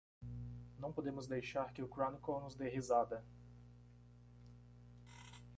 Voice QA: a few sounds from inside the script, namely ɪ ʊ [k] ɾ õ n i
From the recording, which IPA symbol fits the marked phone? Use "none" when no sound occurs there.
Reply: k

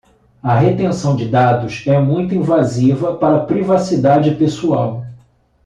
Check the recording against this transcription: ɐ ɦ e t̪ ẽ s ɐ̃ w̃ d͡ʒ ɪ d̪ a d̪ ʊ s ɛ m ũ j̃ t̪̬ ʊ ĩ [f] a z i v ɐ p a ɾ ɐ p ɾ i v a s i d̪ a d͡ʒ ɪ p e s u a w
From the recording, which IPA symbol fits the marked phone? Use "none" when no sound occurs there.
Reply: v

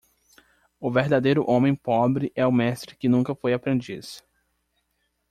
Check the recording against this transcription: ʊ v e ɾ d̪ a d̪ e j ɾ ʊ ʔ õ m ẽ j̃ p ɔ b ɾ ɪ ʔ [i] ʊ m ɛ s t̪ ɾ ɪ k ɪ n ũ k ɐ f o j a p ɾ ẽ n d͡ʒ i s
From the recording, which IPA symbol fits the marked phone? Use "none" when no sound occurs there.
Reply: ɛ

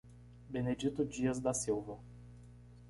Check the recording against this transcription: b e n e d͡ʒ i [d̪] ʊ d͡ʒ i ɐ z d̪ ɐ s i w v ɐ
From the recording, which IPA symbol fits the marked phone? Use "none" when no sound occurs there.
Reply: t̪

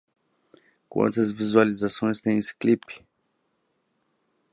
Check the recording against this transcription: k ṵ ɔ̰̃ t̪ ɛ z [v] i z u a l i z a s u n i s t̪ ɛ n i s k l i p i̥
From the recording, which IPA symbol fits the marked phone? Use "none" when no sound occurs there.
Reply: v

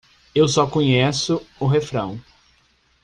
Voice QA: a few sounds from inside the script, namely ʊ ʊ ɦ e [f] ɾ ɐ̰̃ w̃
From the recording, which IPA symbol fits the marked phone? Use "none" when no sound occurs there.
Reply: f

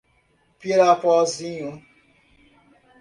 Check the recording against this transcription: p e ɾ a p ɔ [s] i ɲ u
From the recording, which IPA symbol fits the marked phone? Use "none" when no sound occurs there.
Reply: z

